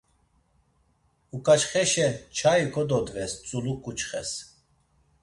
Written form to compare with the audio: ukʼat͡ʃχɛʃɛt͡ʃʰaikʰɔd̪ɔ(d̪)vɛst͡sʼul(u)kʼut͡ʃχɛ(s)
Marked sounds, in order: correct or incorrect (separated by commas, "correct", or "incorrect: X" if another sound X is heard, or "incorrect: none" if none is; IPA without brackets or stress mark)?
correct, correct, correct